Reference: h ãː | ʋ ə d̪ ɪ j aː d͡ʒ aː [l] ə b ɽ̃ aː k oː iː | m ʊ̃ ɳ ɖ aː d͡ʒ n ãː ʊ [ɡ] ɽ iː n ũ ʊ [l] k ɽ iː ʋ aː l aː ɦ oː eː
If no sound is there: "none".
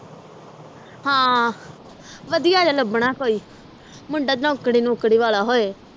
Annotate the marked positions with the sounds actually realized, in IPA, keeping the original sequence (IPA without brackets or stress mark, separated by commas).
l, k, none